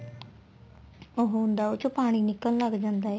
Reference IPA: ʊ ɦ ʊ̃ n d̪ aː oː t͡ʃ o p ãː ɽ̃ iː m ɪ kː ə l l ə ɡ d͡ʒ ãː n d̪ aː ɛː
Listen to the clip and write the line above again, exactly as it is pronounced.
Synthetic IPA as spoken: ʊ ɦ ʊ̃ n d̪ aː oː t͡ʃ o p aː ɽ̃ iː n ɪ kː ə l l ə ɡ d͡ʒ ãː n d̪ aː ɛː